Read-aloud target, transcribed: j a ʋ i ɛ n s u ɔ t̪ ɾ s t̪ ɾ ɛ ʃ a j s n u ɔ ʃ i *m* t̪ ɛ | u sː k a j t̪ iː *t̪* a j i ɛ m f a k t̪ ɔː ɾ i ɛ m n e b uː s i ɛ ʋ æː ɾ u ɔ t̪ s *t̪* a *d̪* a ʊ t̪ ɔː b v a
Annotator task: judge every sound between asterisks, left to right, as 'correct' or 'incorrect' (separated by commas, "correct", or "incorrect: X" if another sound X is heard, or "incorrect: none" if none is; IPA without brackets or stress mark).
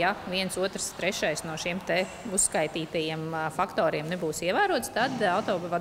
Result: correct, correct, correct, correct